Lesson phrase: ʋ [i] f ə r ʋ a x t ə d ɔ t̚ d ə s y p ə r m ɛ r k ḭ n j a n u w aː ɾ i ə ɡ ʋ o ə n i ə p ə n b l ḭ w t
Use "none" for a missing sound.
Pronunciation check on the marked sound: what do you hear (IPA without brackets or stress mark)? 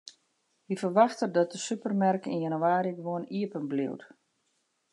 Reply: i